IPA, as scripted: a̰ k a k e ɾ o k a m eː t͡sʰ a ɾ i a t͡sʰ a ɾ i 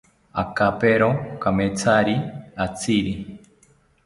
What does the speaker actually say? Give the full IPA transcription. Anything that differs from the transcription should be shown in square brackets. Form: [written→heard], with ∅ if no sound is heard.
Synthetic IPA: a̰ k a [k→p] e ɾ o k a m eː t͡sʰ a ɾ i a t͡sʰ [a→i] ɾ i